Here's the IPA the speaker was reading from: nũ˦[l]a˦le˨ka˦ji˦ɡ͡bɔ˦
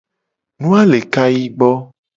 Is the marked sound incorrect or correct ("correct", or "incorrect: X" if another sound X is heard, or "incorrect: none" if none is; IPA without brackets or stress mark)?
incorrect: none